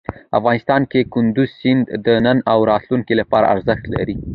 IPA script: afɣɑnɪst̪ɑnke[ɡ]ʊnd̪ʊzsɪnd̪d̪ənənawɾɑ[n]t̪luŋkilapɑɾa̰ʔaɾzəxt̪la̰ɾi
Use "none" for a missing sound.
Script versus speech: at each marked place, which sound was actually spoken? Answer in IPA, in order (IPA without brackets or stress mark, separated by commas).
k, none